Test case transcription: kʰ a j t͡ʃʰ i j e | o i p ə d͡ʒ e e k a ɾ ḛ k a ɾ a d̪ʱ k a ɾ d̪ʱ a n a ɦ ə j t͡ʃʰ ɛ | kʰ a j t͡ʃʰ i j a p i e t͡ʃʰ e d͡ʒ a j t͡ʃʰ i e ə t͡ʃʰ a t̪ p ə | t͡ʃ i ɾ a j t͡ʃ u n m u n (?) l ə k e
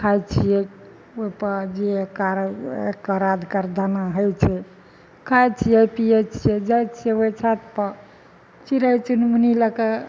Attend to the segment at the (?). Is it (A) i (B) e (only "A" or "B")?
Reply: A